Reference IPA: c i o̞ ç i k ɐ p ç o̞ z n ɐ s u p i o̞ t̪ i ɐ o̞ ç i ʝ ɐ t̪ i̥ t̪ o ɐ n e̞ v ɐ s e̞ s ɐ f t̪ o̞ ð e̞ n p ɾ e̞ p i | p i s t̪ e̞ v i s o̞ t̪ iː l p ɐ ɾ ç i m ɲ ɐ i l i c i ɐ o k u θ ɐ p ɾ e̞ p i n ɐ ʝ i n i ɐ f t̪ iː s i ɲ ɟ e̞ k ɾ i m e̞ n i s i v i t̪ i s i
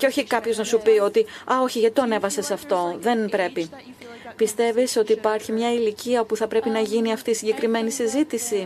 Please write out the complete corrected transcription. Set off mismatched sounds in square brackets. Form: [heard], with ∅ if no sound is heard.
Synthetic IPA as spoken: c [e] o̞ ç i k ɐ p ç o̞ z n ɐ s u p i o̞ t̪ i ɐ o̞ ç i ʝ ɐ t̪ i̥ t̪ o ɐ n e̞ v ɐ s e̞ s ɐ f t̪ o̞ ð e̞ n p ɾ e̞ p i | p i s t̪ e̞ v i s o̞ t̪ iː [∅] p ɐ ɾ ç i m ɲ ɐ i l i c i ɐ o [p] u θ ɐ p ɾ e̞ p i n ɐ ʝ i n i ɐ f t̪ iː s i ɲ ɟ e̞ k ɾ i m e̞ n i s i [z] i t̪ i s i